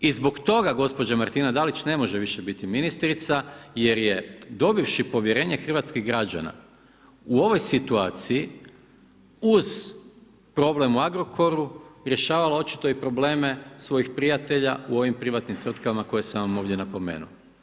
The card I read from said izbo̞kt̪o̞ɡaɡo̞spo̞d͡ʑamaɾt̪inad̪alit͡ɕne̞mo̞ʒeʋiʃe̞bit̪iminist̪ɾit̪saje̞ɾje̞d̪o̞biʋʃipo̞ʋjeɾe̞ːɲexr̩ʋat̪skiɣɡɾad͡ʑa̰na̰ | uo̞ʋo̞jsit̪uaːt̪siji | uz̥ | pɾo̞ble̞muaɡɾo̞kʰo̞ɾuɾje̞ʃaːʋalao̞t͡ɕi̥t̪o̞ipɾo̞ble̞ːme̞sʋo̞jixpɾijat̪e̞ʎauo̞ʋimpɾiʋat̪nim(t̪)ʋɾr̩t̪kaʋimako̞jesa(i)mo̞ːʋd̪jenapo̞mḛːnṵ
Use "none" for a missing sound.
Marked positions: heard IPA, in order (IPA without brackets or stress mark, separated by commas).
t̪, a